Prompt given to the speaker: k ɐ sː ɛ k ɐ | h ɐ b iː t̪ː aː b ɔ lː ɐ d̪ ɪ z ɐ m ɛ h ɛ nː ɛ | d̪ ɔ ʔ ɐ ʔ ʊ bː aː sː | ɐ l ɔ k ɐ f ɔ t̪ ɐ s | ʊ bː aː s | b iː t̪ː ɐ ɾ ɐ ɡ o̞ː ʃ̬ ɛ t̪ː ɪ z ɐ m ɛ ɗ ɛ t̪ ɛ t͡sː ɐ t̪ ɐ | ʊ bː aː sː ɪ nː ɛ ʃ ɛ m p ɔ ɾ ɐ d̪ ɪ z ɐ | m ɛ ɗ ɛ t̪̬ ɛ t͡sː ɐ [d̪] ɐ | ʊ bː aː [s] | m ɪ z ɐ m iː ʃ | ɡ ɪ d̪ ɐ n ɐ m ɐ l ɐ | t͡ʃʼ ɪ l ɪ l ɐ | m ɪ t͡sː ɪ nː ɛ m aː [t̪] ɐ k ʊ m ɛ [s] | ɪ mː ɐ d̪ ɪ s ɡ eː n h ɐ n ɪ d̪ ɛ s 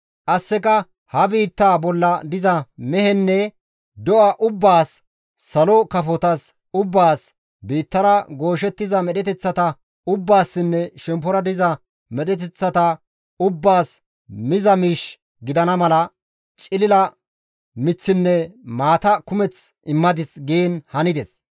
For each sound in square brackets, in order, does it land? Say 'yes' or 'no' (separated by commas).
no, yes, yes, no